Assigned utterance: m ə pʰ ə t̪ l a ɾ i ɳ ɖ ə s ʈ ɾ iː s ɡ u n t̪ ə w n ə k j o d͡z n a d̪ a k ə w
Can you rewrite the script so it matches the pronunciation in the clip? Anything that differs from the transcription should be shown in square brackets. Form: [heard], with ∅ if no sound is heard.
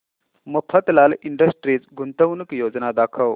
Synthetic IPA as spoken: m ə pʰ ə t̪ l a [l] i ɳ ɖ ə s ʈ ɾ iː [t͡s] ɡ u n t̪ ə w n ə k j o d͡z n a d̪ a [kʰ] ə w